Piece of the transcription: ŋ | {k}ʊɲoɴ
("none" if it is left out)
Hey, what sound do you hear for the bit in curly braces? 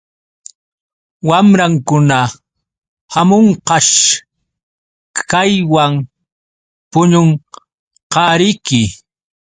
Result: p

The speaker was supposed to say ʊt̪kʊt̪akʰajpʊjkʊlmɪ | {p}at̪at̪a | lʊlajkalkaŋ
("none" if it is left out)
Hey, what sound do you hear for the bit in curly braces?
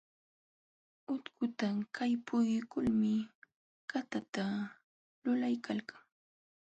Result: k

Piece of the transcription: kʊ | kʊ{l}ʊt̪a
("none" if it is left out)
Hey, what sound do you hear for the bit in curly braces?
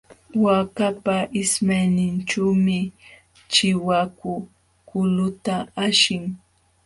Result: l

